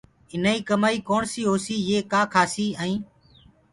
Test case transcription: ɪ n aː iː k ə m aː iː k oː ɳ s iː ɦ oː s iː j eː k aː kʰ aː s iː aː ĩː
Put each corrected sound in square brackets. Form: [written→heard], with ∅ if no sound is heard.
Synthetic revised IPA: ɪ n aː iː k ə m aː iː k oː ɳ s iː ɦ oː s iː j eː k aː kʰ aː s iː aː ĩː